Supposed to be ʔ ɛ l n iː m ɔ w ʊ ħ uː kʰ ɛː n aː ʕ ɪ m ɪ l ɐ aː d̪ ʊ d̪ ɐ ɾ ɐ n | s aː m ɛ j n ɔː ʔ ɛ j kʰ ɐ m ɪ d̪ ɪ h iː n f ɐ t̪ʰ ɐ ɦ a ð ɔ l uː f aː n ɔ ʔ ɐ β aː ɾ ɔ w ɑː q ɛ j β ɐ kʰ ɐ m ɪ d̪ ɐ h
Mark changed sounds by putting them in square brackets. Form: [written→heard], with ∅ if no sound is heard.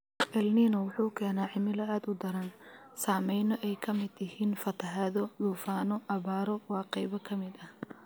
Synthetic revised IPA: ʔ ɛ l n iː [m→n] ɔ w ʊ ħ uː kʰ ɛː n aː ʕ ɪ m ɪ l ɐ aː d̪ ʊ d̪ ɐ ɾ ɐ n | s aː m ɛ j n [ɔː→ɔ] ʔ ɛ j kʰ ɐ m ɪ d̪ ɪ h iː n f ɐ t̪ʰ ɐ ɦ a ð ɔ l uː f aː n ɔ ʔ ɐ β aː ɾ ɔ w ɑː q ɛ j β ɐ kʰ ɐ m ɪ d̪ ɐ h

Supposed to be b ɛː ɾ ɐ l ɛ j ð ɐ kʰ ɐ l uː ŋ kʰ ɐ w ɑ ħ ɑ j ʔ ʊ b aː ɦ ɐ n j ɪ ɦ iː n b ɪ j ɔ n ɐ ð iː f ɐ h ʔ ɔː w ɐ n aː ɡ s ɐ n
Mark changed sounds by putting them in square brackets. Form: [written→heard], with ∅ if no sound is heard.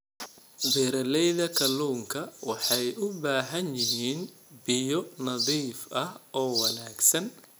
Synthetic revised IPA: b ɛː ɾ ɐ l ɛ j ð ɐ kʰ ɐ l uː ŋ kʰ ɐ w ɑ ħ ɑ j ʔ ʊ b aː ɦ ɐ n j ɪ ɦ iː n b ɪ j ɔ n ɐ ð iː f ɐ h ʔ ɔː w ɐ n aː ɡ s ɐ n

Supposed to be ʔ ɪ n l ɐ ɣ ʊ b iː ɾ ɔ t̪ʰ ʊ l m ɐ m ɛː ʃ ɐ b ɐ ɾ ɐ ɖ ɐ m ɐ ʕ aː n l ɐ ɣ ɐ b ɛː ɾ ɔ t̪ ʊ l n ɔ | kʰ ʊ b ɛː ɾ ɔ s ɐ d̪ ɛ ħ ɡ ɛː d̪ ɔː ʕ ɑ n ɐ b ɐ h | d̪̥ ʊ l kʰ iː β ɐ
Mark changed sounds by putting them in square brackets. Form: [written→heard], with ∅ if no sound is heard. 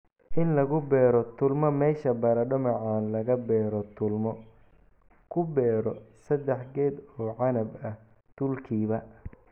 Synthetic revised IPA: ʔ ɪ n l ɐ ɣ ʊ b [iː→ɛː] ɾ ɔ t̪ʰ ʊ l m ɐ m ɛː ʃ ɐ b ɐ ɾ ɐ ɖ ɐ m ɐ ʕ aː n l ɐ ɣ ɐ b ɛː ɾ ɔ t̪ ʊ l [n→m] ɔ | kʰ ʊ b ɛː ɾ ɔ s ɐ d̪ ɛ ħ ɡ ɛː d̪ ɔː ʕ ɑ n ɐ b ɐ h | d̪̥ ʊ l kʰ iː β ɐ

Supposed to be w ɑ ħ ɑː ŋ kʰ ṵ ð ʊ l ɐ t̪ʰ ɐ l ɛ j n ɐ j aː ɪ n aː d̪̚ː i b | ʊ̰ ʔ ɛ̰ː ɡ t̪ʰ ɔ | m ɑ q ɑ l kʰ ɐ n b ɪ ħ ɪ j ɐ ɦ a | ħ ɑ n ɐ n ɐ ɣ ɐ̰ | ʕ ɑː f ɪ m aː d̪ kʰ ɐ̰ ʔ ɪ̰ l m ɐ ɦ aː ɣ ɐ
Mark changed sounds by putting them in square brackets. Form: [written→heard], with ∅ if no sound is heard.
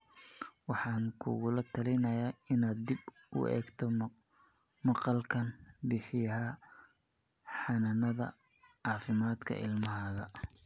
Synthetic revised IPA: w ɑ ħ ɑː ŋ kʰ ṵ [ð→ɣ] ʊ l ɐ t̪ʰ ɐ l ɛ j n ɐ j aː ɪ n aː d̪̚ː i b | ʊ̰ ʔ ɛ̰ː ɡ t̪ʰ ɔ | m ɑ q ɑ l kʰ ɐ n b ɪ ħ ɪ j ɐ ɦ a | ħ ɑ n ɐ n ɐ [ɣ→ð] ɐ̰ | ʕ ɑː f ɪ m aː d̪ kʰ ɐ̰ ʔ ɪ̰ l m ɐ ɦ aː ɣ ɐ

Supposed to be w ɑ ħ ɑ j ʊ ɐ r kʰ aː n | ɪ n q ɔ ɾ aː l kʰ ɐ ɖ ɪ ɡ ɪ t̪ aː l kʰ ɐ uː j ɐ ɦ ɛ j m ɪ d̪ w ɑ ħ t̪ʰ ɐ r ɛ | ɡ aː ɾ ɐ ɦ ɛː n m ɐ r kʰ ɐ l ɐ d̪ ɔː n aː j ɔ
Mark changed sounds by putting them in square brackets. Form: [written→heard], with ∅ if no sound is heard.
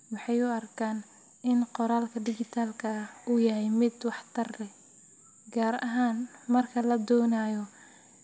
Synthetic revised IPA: w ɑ ħ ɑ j ʊ ɐ r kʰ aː n | ɪ n q ɔ ɾ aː l kʰ ɐ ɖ ɪ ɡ ɪ [t̪→t̪ʰ] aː l kʰ ɐ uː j ɐ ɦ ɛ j m ɪ d̪ w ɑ ħ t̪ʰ ɐ r ɛ | ɡ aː ɾ ɐ ɦ [ɛː→aː] n m ɐ r kʰ ɐ l ɐ d̪ ɔː n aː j ɔ

